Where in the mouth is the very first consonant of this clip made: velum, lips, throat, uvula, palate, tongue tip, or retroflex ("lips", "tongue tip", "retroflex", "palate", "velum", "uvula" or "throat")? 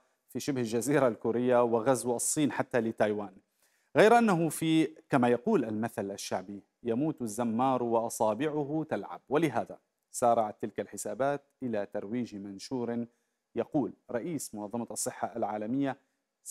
lips